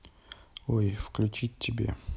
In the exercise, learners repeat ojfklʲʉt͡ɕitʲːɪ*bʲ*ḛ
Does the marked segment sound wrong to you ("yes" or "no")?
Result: no